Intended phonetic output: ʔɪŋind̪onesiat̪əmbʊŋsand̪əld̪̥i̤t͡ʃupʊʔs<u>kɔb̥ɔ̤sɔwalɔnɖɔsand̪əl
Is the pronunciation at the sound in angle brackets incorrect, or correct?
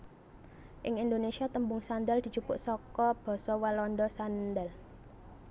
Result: incorrect